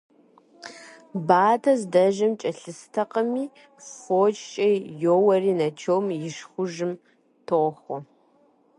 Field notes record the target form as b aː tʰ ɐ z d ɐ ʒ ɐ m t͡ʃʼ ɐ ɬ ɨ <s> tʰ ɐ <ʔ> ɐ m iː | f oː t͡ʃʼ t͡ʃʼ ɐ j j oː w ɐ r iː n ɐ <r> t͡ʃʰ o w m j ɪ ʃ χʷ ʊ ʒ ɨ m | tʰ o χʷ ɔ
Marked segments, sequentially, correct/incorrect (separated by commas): correct, incorrect, incorrect